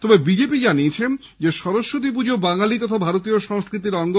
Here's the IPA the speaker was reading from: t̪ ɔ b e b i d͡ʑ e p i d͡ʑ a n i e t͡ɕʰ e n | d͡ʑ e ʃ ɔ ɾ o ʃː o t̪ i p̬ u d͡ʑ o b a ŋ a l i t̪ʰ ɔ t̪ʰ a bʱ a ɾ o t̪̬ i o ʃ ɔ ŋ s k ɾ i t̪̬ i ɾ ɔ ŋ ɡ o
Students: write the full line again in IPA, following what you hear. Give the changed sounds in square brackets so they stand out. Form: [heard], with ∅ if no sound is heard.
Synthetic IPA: t̪ ɔ b e b i d͡ʑ e p i d͡ʑ a n i e t͡ɕʰ e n | d͡ʑ e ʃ ɔ ɾ o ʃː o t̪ i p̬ u d͡ʑ o b a ŋ a l i [t̪] ɔ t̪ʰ a bʱ a ɾ o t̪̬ i o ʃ ɔ ŋ s k ɾ i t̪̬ i ɾ ɔ ŋ ɡ o

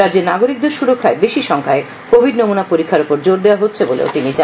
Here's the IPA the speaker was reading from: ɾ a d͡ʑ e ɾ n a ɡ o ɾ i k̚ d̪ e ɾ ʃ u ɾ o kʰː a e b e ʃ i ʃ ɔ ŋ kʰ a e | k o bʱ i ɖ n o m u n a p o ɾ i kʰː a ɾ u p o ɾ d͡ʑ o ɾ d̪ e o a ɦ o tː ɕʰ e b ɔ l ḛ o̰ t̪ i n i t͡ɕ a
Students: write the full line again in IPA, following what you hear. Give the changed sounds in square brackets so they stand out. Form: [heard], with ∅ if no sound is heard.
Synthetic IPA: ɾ a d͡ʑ e ɾ n a ɡ o ɾ i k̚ d̪ e ɾ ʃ u ɾ o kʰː a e b e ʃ i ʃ ɔ ŋ kʰ a e | k o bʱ i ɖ n o m u n a p o ɾ i kʰː a ɾ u p o ɾ d͡ʑ o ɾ d̪ e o a ɦ o tː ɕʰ e b [o] l ḛ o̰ t̪ i n i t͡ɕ a

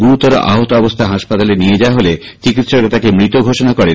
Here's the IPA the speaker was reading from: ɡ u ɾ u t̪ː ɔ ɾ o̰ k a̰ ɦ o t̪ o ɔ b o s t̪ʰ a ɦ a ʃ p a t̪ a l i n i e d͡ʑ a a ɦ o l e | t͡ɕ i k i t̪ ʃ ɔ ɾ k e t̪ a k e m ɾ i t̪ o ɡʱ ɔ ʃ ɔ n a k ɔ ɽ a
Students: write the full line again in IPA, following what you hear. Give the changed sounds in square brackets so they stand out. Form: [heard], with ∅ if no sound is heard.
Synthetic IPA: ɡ u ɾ u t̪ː ɔ ɾ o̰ [ʔ] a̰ ɦ o t̪ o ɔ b o s t̪ʰ a ɦ a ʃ p a t̪ a l [e] n i e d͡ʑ a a ɦ o l e | t͡ɕ i k i t̪ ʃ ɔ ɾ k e t̪ a k e m ɾ i t̪ o ɡʱ [o] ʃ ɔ n a k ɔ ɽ [e]

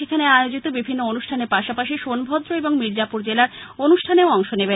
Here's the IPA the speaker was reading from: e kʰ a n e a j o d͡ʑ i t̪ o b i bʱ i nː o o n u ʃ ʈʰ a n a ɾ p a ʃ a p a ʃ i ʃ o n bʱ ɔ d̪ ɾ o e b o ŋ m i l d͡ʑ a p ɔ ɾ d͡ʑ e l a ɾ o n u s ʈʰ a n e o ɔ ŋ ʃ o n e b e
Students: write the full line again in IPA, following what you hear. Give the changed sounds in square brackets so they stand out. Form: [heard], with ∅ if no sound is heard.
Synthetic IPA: e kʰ a n e a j o d͡ʑ i t̪ o b i bʱ i nː o o n u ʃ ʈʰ a n [e] ɾ p a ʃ a p a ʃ i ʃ o n bʱ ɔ d̪ ɾ o e b o ŋ m i [ɾ] d͡ʑ a p [u] ɾ d͡ʑ e l a ɾ o n u [ʃ] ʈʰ a n e o ɔ ŋ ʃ o n e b e

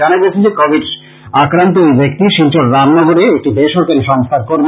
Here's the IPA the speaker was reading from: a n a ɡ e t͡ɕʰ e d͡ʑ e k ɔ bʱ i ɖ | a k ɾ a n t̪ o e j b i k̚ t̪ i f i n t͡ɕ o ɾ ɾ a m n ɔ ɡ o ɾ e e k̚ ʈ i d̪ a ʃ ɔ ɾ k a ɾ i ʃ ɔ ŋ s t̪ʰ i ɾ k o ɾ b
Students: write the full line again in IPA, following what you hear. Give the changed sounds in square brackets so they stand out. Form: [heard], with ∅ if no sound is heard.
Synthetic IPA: a n a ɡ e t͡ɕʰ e d͡ʑ e k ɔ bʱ i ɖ | a k ɾ a n t̪ o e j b [e] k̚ t̪ i [ʃ] i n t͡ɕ o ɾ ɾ a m n ɔ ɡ o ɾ e e k̚ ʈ i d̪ [e] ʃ ɔ ɾ k a ɾ i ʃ ɔ ŋ s t̪ʰ [a] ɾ k o ɾ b

